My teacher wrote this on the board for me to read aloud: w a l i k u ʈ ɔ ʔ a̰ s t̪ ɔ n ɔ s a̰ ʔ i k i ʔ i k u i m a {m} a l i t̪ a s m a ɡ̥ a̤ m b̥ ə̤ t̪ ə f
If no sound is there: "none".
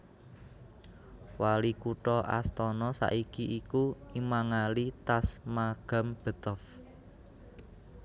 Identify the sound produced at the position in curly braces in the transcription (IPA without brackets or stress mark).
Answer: ŋ